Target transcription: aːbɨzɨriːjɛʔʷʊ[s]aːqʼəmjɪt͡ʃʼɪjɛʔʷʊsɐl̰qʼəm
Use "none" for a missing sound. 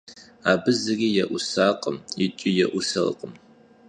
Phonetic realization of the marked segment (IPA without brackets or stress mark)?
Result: s